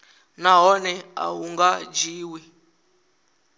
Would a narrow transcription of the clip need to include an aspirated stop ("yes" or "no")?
no